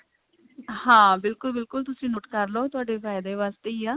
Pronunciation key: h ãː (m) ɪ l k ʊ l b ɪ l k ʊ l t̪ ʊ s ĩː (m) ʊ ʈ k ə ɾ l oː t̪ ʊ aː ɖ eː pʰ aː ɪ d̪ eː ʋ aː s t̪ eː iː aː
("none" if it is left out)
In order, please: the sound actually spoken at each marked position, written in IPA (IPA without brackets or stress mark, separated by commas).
b, n